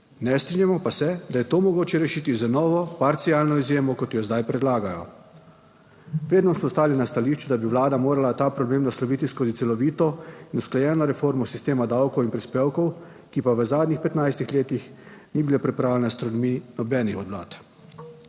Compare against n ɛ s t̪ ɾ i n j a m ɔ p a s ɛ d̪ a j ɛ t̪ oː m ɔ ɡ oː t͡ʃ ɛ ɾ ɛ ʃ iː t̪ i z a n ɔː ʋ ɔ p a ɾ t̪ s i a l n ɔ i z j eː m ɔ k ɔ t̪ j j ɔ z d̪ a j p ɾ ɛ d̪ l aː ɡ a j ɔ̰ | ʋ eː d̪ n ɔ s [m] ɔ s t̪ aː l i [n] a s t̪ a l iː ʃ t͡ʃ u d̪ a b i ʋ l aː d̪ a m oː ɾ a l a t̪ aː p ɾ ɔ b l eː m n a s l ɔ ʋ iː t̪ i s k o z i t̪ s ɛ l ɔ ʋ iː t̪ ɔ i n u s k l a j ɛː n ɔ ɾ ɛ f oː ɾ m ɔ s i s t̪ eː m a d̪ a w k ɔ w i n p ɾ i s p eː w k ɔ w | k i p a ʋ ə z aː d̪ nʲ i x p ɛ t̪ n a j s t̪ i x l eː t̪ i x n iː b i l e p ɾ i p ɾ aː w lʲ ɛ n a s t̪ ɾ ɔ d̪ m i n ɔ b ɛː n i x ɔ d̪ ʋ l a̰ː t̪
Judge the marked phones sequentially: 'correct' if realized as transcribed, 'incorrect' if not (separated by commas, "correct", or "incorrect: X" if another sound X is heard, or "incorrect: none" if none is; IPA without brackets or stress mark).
correct, correct